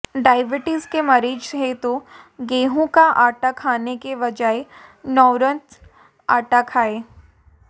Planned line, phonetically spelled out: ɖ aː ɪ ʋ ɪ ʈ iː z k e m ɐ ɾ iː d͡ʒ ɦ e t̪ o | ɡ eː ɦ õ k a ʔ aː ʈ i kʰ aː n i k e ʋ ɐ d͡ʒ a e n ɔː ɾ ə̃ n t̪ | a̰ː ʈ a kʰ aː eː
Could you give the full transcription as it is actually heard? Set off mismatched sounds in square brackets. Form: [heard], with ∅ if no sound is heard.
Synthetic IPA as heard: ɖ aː ɪ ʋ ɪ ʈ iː z k e m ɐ ɾ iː d͡ʒ ɦ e t̪ o | ɡ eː ɦ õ k a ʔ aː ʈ [a] kʰ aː n [e] k e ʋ ɐ d͡ʒ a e n ɔː ɾ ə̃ n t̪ | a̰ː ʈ a kʰ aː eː

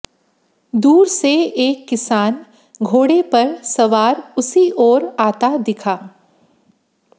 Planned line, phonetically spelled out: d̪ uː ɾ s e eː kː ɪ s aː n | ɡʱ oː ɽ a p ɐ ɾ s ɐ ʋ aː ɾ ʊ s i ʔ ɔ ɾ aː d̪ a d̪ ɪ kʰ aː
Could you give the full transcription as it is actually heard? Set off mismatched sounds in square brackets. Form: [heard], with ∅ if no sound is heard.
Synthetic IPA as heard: d̪ uː ɾ s e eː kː ɪ s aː n | ɡʱ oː ɽ [e] p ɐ ɾ s ɐ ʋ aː ɾ ʊ s i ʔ [ɔː] ɾ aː [t̪] a d̪ ɪ kʰ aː

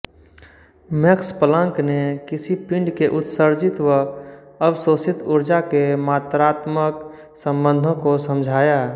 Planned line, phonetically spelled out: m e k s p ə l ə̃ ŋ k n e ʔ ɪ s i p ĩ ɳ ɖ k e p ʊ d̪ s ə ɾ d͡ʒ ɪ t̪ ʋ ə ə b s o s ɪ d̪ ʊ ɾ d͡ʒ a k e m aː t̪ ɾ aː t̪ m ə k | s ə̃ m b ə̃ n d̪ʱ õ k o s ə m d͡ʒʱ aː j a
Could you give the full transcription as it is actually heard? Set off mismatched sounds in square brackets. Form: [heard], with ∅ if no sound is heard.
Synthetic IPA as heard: m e k s p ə l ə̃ ŋ k n e [k] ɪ s i p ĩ ɳ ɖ k e [ʔ] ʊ [t̪] s ə ɾ d͡ʒ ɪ t̪ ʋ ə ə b s o s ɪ [t̪] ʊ ɾ d͡ʒ a k e m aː t̪ ɾ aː t̪ m ə k | s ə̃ m b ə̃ n d̪ʱ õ k o s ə m d͡ʒʱ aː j a

